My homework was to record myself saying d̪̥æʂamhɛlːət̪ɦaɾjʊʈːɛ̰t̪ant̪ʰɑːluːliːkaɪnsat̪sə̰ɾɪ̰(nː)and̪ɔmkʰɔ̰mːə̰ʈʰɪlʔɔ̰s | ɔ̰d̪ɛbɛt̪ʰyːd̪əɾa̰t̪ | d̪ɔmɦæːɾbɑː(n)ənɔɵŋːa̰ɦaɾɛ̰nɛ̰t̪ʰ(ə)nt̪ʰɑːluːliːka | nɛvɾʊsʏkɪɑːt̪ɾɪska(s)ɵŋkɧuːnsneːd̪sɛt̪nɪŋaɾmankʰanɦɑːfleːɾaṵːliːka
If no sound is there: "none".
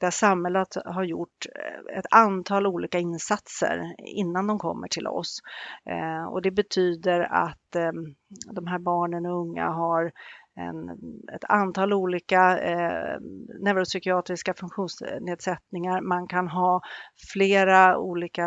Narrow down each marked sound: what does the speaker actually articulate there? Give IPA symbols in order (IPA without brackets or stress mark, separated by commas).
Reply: nː, ɳ, a, f